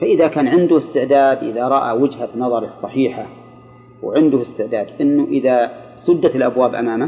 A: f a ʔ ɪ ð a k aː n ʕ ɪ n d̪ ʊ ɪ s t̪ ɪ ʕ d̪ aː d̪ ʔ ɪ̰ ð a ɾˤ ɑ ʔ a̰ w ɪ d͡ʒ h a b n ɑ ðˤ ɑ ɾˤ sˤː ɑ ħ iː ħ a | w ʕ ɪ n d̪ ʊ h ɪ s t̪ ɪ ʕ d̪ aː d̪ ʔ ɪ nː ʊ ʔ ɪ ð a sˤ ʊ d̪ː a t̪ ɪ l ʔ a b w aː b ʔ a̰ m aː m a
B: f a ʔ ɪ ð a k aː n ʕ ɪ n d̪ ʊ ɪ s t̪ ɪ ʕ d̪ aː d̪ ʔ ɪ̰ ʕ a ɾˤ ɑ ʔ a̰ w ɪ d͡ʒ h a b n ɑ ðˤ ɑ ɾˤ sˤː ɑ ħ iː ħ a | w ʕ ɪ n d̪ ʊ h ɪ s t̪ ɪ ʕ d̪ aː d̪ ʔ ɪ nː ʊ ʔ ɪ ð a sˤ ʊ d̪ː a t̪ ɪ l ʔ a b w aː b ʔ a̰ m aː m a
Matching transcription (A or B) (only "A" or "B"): A